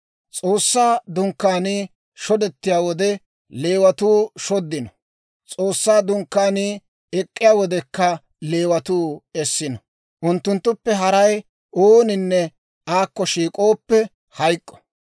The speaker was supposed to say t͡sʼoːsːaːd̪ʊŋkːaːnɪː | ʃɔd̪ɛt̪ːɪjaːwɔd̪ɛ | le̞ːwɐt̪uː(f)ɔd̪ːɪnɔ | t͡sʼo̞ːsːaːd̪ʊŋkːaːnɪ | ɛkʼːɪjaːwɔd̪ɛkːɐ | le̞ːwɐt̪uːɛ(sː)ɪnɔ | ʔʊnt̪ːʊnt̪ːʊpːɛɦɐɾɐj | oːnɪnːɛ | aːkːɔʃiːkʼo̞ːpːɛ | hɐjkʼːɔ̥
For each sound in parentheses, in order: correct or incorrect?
incorrect: ʃ, correct

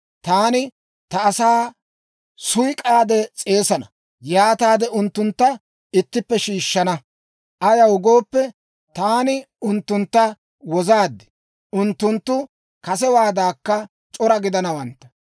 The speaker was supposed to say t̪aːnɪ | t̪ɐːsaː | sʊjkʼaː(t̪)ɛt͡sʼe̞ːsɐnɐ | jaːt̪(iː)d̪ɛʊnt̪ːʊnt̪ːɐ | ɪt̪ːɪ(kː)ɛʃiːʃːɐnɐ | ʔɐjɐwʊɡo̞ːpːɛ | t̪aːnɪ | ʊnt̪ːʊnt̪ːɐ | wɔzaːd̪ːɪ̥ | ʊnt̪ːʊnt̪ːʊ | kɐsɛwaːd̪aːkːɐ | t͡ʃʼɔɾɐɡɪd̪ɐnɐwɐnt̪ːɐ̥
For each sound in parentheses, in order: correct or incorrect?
incorrect: d̪, incorrect: aː, incorrect: pː

